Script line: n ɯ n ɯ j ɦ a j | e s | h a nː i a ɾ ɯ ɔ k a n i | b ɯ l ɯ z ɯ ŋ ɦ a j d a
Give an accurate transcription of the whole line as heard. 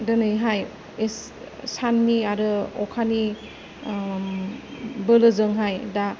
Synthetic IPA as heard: d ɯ n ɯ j ɦ a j | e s | s a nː i a ɾ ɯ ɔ kʰ a n i | b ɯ l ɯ z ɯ ŋ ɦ a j d a